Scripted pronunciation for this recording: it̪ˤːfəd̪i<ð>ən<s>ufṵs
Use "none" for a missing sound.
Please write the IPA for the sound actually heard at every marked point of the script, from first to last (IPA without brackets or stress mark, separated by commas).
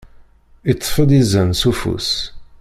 z, s